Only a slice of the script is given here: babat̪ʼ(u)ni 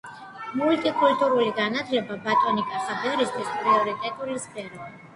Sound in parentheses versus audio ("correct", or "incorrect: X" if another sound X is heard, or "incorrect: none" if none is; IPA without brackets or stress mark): incorrect: ɔ